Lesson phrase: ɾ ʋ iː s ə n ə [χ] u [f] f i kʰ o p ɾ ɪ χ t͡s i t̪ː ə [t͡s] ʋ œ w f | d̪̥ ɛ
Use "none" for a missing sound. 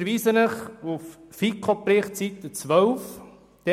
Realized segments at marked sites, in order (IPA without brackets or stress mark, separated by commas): χ, f, t͡s